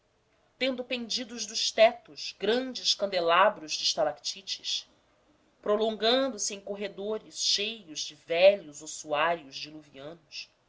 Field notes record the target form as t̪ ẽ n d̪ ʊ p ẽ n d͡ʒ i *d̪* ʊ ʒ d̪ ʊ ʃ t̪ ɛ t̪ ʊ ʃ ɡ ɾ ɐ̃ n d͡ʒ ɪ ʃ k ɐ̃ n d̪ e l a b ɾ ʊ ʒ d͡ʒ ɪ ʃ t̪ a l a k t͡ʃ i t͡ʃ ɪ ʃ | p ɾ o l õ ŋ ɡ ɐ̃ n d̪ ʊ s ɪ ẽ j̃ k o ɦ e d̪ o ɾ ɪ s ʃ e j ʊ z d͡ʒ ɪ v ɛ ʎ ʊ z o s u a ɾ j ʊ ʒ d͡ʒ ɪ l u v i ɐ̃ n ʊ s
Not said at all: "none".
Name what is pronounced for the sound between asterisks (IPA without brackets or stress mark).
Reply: d̪